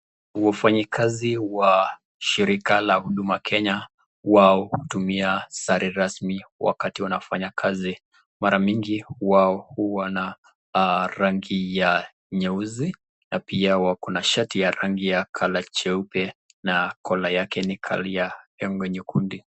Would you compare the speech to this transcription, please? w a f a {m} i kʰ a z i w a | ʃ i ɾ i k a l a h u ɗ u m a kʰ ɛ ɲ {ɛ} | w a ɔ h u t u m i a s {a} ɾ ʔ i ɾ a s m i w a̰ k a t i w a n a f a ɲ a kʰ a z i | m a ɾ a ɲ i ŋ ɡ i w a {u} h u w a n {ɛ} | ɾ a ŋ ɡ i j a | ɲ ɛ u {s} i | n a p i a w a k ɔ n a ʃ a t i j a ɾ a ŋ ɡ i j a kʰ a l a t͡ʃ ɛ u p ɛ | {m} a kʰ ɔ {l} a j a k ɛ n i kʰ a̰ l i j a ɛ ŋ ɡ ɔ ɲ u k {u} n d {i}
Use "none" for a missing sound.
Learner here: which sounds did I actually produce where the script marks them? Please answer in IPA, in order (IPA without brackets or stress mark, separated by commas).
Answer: ɲ, a, a, ɔ, a, z, n, l, u, i